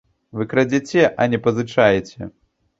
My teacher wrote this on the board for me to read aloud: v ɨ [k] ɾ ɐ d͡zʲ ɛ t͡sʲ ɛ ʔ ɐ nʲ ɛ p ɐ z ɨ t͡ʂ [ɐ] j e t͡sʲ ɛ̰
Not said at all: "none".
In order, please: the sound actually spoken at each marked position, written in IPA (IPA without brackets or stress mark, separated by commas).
k, a